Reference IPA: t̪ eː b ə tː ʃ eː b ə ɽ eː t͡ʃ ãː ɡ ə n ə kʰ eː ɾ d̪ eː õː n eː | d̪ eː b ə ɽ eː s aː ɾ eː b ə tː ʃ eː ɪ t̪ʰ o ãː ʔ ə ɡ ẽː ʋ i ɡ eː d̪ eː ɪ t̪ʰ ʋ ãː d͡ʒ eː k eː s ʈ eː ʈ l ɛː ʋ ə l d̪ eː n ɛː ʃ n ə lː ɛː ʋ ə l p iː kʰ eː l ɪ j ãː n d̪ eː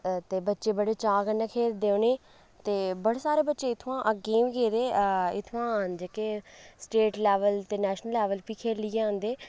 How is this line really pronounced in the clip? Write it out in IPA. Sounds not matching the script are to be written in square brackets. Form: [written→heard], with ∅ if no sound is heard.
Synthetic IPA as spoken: t̪ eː b ə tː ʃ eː b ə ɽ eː t͡ʃ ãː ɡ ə n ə kʰ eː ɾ d̪ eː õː n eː | [d̪→t̪] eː b ə ɽ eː s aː ɾ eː b ə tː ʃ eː ɪ t̪ʰ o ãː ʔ ə ɡ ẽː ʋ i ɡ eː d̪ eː ɪ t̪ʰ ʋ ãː d͡ʒ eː k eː s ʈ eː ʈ l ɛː ʋ ə l [d̪→t̪] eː n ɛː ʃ n ə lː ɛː ʋ ə l p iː kʰ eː l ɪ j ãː n d̪ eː